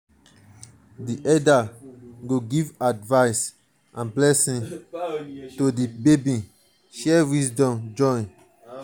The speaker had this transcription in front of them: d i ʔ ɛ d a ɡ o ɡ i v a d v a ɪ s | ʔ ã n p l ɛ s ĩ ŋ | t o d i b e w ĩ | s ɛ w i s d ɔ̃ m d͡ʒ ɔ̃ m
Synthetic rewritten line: d i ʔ ɛ d a ɡ o ɡ i v a d v a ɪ s | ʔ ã n b l ɛ s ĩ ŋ | t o d i b e b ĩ | ʃ ɛ w i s d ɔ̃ m d͡ʒ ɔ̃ n